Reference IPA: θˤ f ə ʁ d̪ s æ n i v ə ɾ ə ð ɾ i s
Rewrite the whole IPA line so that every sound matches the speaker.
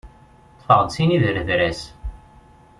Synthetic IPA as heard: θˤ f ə ʁ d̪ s i n i ð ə ɾ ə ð ɾ æ s